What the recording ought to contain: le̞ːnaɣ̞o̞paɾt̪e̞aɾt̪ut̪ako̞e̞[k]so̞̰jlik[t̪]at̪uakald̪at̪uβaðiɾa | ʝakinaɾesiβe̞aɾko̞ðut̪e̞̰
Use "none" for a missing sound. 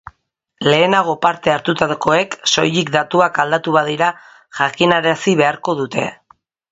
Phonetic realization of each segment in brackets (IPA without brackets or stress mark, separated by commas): k, d̪